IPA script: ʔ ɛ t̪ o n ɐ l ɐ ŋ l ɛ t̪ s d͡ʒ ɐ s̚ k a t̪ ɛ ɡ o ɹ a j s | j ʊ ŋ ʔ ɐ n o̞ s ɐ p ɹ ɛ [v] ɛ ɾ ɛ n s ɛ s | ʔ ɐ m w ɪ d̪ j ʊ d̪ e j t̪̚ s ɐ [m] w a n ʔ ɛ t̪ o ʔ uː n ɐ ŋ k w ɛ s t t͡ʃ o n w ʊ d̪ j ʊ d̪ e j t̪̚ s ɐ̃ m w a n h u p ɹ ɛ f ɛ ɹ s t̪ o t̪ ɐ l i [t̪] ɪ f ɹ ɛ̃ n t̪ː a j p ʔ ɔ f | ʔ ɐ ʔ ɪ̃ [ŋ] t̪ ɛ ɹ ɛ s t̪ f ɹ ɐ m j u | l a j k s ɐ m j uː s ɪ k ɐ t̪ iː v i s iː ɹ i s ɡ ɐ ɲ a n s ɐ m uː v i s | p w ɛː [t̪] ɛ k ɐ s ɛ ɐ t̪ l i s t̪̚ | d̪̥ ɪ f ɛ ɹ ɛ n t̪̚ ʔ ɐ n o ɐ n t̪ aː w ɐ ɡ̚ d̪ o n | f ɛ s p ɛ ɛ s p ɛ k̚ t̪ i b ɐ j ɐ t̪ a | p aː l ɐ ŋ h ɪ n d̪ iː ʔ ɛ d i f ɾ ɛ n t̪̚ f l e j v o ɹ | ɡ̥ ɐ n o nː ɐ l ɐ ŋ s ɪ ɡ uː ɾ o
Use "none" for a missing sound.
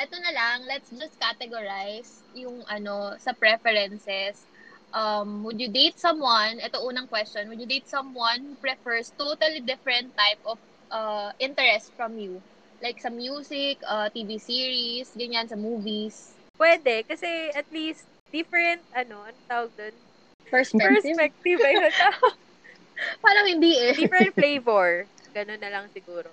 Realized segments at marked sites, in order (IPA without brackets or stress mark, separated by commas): f, m, d̪, n, d̪